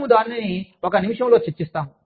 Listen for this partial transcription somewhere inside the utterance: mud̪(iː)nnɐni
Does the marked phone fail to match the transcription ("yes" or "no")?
yes